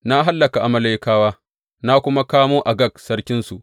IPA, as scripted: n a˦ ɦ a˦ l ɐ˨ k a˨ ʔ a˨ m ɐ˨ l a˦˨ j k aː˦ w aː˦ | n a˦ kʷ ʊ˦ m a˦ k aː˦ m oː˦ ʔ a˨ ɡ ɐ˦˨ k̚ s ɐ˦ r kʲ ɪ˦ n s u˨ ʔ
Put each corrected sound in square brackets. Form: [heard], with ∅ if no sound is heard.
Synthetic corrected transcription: n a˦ ɦ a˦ [lː] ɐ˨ k a˨ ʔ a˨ m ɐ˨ l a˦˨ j k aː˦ w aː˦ | n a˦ kʷ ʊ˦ m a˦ k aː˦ m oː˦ ʔ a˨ ɡ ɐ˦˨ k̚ s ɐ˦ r kʲ ɪ˦ n s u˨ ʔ